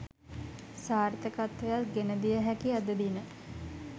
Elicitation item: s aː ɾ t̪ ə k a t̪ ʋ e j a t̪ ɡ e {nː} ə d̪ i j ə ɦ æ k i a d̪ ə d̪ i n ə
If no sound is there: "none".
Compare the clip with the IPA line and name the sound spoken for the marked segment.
n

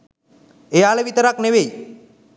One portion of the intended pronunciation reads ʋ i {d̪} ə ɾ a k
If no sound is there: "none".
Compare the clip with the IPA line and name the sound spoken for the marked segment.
t̪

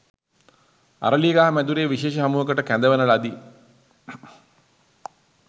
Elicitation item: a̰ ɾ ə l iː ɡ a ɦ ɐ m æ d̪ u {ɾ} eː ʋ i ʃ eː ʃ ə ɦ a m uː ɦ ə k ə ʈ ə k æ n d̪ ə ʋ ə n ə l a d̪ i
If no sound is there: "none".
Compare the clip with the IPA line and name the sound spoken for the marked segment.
ɾ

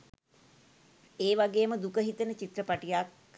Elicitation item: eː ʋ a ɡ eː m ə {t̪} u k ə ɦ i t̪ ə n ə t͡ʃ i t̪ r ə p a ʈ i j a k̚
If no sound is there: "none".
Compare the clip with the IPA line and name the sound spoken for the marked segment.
d̪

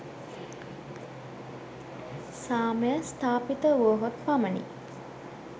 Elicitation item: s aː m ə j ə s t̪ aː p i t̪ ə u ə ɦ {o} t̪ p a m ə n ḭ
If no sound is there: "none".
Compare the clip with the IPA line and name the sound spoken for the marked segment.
o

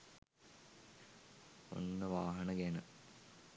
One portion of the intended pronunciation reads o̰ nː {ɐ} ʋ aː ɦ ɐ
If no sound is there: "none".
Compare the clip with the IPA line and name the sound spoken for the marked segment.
ə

